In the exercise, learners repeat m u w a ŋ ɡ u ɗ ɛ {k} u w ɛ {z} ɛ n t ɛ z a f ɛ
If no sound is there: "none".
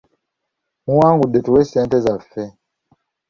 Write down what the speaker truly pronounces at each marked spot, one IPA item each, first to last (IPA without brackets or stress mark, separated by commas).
t, s